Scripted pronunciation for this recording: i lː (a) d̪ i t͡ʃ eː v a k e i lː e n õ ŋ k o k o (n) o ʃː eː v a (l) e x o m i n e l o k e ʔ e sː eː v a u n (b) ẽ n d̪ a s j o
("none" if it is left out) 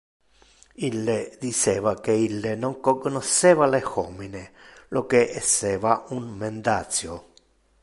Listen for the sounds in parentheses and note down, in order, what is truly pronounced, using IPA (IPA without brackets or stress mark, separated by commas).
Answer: e, n, l, m